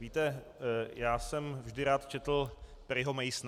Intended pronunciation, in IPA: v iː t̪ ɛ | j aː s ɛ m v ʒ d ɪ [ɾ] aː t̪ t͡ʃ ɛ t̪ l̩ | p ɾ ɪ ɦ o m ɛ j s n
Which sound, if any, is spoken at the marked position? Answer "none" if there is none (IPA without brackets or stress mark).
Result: ɾ